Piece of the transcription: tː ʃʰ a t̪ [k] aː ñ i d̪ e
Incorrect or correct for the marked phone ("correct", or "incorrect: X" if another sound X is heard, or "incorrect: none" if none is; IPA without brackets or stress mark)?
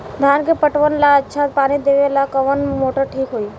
incorrect: p